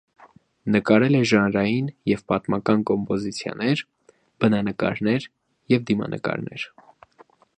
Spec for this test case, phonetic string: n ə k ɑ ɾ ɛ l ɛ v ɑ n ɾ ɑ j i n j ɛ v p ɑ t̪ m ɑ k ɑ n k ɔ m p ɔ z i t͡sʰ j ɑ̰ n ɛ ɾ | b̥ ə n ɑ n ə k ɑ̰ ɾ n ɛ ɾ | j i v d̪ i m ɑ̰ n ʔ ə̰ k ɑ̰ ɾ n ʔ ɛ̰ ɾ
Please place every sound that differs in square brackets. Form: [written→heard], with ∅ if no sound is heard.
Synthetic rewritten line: n ə k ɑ ɾ ɛ l ɛ [v→ʒ] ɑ n ɾ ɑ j i n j ɛ v p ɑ t̪ m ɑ k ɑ n k ɔ m p ɔ z i t͡sʰ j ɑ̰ n ɛ ɾ | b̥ ə n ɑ n ə k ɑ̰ ɾ n ɛ ɾ | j [i→ɛ] v d̪ i m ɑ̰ n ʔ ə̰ k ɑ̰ ɾ n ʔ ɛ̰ ɾ